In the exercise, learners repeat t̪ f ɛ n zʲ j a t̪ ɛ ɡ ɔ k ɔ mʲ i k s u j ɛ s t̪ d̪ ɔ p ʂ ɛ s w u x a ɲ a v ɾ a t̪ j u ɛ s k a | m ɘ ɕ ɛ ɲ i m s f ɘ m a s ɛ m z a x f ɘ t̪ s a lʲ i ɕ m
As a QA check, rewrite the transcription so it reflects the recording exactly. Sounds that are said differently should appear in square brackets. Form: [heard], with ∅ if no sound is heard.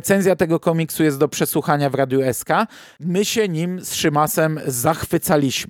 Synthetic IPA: t̪ [s] ɛ n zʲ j a t̪ ɛ ɡ ɔ k ɔ mʲ i k s u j ɛ s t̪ d̪ ɔ p ʂ ɛ s w u x a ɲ a v ɾ a [d̪] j u ɛ s k a | m ɘ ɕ ɛ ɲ i m s [ʂ] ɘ m a s ɛ m z a x f ɘ t̪ s a lʲ i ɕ m